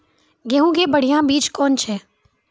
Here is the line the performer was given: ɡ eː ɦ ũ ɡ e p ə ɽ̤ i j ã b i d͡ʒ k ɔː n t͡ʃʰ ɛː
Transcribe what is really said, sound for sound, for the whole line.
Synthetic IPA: ɡ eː ɦ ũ ɡ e b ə ɽ̤ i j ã b iː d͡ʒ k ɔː n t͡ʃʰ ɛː